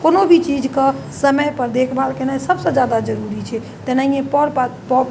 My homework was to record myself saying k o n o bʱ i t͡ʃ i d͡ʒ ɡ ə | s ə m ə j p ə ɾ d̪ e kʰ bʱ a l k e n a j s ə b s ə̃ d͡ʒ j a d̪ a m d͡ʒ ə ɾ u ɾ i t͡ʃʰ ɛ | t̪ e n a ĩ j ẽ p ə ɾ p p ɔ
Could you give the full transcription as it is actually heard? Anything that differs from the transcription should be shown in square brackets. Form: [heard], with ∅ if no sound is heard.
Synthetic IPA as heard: k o n o bʱ i t͡ʃ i d͡ʒ [k] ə | s ə m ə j p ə ɾ d̪ e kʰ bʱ a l k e n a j s ə b s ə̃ d͡ʒ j a d̪ a [∅] d͡ʒ ə ɾ u ɾ i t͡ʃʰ ɛ | t̪ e n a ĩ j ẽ p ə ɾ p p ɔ